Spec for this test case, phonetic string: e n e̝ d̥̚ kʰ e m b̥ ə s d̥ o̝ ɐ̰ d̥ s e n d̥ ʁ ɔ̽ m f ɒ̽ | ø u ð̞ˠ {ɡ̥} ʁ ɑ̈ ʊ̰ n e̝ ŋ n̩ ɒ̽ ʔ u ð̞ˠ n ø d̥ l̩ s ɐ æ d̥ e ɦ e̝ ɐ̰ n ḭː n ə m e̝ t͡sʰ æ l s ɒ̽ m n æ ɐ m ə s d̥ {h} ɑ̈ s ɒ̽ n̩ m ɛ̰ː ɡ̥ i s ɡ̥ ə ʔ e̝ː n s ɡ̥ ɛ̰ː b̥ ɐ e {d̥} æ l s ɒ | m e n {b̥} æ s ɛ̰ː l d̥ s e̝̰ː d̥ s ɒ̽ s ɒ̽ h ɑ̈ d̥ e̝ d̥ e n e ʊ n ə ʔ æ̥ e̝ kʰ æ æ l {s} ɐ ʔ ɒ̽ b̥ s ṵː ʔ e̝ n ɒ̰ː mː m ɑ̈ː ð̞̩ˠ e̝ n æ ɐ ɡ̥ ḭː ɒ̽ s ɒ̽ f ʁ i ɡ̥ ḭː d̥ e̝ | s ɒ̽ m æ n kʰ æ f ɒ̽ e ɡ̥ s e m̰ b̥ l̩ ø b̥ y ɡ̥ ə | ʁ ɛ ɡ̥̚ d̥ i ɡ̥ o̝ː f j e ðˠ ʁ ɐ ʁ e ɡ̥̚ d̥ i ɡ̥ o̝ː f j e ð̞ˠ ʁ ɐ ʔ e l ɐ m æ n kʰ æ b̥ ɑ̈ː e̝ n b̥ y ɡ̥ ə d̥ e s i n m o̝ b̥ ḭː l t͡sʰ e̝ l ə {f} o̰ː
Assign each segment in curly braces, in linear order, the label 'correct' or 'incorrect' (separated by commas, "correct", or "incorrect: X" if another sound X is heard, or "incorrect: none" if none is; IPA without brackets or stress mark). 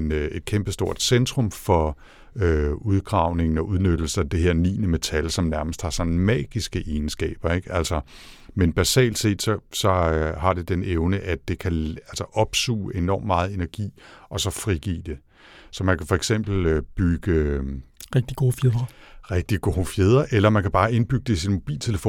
correct, correct, incorrect: ɡ̥, correct, correct, correct